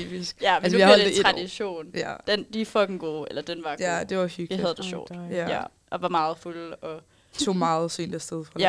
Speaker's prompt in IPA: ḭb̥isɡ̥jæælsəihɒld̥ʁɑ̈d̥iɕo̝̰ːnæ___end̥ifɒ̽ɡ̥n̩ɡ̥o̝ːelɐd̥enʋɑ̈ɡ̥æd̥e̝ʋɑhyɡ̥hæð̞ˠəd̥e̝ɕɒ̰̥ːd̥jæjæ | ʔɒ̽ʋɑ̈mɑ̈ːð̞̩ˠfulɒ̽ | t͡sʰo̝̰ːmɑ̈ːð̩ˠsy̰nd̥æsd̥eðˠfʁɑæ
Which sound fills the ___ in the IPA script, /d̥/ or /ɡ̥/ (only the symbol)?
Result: d̥